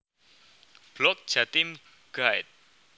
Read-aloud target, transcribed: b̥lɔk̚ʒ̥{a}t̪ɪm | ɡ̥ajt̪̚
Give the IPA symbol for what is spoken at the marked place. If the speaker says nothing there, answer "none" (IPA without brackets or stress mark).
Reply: a